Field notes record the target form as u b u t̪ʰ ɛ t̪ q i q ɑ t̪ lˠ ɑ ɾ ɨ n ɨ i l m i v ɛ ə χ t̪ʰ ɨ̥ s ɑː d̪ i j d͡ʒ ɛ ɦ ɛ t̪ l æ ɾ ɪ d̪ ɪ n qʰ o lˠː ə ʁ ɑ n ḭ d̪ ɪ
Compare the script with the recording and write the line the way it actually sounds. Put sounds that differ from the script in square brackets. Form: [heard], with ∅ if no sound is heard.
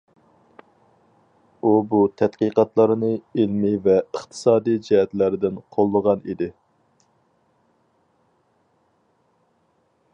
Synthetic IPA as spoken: u b u t̪ʰ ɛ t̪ q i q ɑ t̪ lˠ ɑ ɾ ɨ n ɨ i l m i v ɛ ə χ t̪ʰ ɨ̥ s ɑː d̪ i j d͡ʒ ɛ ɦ ɛ t̪ l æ ɾ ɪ d̪ ɪ n qʰ o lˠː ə ʁ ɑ n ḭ d̪ ɪ